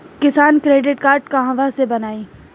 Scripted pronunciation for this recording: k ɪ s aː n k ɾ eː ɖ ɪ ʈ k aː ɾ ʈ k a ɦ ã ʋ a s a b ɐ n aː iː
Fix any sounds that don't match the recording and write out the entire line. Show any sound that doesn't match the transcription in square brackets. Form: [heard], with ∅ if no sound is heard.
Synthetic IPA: k ɪ s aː n k ɾ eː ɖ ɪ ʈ k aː ɾ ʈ k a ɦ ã ʋ a s [e] b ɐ n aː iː